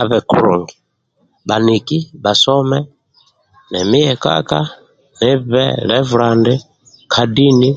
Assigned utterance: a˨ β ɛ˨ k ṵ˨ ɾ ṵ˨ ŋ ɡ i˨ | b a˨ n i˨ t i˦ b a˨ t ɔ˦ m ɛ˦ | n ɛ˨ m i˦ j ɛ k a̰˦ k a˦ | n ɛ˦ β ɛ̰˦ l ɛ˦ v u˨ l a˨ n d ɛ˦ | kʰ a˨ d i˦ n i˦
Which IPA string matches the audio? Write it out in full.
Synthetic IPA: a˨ β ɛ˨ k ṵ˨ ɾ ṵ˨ ŋ ɡ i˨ | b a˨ n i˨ k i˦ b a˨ s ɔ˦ m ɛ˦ | n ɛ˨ m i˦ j ɛ k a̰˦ k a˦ | n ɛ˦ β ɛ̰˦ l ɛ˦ v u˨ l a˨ n d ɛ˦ | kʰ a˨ d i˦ n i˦

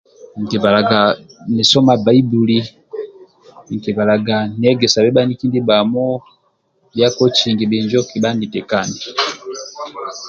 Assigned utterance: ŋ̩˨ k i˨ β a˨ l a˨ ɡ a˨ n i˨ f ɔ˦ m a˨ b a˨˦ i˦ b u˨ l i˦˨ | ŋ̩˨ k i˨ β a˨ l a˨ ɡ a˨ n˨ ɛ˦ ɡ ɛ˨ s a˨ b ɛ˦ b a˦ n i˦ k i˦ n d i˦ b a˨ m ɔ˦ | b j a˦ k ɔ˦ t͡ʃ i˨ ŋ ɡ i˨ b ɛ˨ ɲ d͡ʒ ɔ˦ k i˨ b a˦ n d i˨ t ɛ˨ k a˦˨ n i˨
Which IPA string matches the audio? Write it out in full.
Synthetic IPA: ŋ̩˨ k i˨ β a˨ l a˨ ɡ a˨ n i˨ s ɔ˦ m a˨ b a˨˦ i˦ b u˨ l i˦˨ | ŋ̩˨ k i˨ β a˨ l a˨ ɡ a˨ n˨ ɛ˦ ɡ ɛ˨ s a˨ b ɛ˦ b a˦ n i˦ k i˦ n d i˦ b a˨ m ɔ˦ | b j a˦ k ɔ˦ t͡ʃ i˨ ŋ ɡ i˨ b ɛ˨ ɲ d͡ʒ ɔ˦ k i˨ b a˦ n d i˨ t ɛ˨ k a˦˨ n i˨

